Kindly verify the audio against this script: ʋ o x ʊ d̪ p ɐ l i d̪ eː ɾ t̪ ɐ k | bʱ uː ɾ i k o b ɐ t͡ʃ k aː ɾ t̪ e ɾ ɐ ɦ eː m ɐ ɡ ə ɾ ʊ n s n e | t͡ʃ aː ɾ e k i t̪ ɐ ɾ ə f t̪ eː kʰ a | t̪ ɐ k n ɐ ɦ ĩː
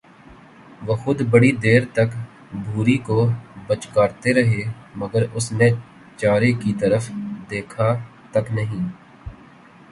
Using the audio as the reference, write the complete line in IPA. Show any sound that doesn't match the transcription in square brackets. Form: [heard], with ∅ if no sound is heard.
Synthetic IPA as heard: ʋ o x ʊ d̪ [b] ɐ [ɽ] i d̪ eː ɾ t̪ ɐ k | bʱ uː ɾ i k o b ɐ t͡ʃ k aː ɾ t̪ e ɾ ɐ ɦ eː m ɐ ɡ ə ɾ ʊ [∅] s n e | t͡ʃ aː ɾ e k i t̪ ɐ ɾ ə f [d̪] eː kʰ a | t̪ ɐ k n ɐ ɦ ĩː

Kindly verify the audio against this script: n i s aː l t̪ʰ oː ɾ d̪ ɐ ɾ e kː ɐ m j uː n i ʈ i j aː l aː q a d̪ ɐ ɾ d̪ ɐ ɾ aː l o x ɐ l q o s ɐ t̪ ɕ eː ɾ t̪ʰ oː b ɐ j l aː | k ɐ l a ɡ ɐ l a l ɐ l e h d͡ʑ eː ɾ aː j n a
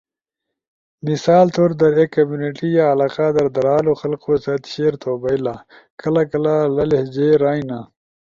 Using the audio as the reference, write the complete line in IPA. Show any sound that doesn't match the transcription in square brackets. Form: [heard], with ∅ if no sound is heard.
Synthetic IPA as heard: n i s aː l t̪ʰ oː ɾ d̪ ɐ ɾ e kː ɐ m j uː n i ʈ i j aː l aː q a d̪ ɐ ɾ d̪ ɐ ɾ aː l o x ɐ l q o s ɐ t̪ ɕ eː ɾ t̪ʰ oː b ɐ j l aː | k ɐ l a [k] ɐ l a l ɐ l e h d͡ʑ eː ɾ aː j n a

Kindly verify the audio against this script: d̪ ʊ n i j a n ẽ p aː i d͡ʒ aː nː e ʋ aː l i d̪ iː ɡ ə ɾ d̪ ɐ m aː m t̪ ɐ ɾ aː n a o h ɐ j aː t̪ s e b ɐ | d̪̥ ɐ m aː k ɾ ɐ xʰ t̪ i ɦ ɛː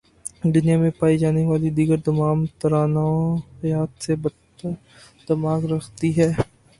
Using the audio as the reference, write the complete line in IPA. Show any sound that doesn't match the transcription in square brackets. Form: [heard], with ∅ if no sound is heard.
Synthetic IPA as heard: d̪ ʊ n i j a [m] ẽ p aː i d͡ʒ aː [n] e ʋ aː l i d̪ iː ɡ ə ɾ d̪ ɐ m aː m t̪ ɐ ɾ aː n a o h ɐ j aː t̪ s e b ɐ | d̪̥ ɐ m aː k ɾ ɐ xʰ t̪ i ɦ ɛː

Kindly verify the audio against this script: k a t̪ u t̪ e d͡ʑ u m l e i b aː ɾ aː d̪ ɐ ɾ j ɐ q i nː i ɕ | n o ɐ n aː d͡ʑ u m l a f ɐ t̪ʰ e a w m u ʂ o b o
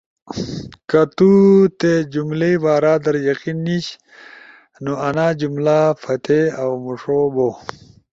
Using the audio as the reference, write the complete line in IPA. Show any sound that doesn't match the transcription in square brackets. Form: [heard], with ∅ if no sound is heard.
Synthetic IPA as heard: k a t̪ u t̪ e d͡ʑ u m l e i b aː ɾ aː d̪ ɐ ɾ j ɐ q i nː i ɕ | n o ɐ n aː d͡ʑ u m l a f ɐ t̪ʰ e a w m u ʂ o b o

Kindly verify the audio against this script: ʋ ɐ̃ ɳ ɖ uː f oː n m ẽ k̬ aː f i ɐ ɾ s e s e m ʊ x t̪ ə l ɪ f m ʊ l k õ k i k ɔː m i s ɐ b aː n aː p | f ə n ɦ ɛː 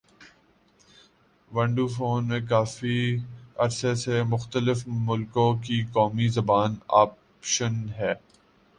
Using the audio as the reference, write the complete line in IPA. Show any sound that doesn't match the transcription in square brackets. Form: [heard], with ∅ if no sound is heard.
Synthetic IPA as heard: ʋ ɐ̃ ɳ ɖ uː f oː n m ẽ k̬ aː f i ɐ ɾ s e s e m ʊ x t̪ ə l ɪ f m ʊ l k õ k i k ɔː m i [z] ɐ b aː n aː p | [ʃ] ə n ɦ ɛː

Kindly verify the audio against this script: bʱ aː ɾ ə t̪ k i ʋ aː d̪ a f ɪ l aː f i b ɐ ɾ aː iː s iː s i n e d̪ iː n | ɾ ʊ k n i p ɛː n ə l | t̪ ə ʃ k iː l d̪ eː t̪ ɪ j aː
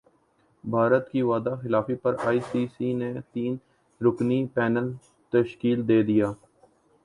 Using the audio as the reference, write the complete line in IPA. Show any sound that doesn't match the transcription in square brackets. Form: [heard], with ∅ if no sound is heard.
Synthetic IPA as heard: bʱ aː ɾ ə t̪ k i ʋ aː d̪ a [x] ɪ l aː f i [p] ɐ ɾ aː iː s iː s i n e [t̪] iː n | ɾ ʊ k n i p ɛː n ə l | t̪ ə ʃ k iː l d̪ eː [d̪] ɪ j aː

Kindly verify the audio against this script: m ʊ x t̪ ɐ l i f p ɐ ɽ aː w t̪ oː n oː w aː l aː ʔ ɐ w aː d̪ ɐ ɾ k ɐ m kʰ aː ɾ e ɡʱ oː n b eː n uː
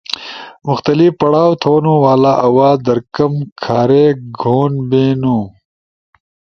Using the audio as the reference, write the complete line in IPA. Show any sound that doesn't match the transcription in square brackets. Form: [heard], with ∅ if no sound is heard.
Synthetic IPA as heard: m ʊ x t̪ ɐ l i f p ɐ ɽ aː w [t̪ʰ] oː n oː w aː l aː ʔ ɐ w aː d̪ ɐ ɾ k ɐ m kʰ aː ɾ e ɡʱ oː n b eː n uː

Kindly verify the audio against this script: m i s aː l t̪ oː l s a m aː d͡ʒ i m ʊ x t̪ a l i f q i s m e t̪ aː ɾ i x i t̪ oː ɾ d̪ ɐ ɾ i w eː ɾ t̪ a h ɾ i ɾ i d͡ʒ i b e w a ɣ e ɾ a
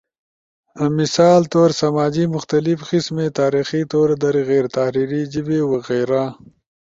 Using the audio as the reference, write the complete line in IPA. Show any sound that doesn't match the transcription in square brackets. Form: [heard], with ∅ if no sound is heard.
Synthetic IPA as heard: m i s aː l t̪ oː [ɾ] s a m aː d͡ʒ i m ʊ x t̪ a l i f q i s m e t̪ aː ɾ i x i t̪ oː ɾ d̪ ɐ ɾ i [ɣ] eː ɾ t̪ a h ɾ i ɾ i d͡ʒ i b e w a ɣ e ɾ a

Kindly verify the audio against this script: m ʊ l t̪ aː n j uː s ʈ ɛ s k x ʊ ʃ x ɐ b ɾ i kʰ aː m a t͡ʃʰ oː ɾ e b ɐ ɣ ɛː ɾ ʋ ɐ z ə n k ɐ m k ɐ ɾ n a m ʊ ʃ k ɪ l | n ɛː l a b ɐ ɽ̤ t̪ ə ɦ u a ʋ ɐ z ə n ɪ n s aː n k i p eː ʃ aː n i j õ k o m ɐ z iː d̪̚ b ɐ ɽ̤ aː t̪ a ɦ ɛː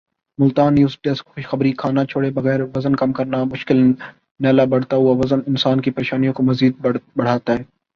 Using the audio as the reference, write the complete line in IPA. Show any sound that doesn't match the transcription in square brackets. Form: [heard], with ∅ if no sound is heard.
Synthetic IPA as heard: m ʊ l t̪ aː n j uː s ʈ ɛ s k x ʊ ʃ x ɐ b ɾ i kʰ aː [n] a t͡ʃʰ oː [ɽ] e b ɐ ɣ ɛː ɾ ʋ ɐ z ə n k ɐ m k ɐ ɾ n a m ʊ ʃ k ɪ l | n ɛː l a b ɐ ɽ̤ t̪ [a] ɦ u a ʋ ɐ z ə n ɪ n s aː n k i p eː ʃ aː n i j õ k o m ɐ z iː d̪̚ b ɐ ɽ̤ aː t̪ a ɦ ɛː

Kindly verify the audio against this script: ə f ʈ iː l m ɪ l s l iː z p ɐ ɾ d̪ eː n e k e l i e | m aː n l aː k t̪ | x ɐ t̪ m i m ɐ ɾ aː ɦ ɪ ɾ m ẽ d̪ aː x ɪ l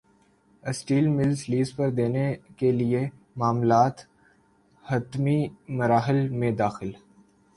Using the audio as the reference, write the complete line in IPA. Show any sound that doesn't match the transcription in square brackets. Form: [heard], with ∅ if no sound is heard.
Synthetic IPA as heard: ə [s] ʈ iː l m ɪ l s l iː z p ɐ ɾ d̪ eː n e k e l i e | m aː [m] l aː [∅] t̪ | [h] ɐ t̪ m i m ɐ ɾ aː ɦ ɪ [l] m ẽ d̪ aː x ɪ l

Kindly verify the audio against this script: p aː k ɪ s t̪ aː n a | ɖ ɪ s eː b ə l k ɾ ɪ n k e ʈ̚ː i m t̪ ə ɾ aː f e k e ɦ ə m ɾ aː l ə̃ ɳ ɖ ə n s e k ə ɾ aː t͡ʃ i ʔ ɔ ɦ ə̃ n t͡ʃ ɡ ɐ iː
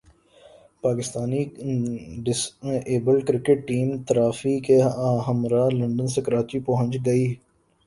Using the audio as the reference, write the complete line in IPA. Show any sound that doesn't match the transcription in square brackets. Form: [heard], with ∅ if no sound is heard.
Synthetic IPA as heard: p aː k ɪ s t̪ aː n [i] | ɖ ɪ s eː b ə l k ɾ ɪ [∅] k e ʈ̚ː [iː] m t̪ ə ɾ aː f [i] k e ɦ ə m ɾ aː l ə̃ ɳ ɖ ə n s e k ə ɾ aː t͡ʃ i [p] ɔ ɦ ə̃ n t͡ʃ ɡ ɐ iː

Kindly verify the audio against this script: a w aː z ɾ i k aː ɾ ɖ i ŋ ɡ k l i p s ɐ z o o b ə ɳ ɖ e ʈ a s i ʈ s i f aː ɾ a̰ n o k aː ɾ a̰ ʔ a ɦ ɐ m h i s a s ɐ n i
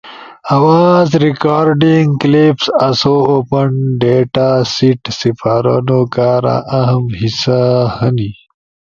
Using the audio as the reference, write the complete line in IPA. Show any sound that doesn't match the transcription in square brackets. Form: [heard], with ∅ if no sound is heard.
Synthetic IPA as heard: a w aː z ɾ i k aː ɾ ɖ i ŋ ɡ k l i p s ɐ [s] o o [p] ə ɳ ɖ e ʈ a s i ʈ s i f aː ɾ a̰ n o k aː ɾ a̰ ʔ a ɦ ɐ m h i s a [h] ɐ n i

